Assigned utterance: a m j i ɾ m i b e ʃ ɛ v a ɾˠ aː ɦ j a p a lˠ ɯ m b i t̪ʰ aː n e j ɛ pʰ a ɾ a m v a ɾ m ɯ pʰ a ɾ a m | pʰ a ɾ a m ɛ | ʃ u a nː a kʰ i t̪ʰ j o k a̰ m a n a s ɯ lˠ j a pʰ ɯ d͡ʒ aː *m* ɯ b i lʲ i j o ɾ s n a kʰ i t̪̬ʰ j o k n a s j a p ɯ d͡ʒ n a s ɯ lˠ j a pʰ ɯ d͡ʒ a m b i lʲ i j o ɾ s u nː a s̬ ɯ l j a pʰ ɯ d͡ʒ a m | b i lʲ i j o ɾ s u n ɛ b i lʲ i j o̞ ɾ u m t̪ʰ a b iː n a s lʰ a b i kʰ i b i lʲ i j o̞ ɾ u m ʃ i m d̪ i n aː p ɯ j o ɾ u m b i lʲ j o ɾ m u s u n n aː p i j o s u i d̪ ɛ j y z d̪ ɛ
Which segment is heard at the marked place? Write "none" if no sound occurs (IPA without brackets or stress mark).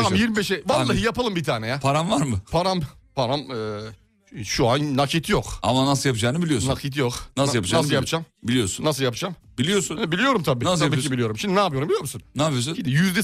n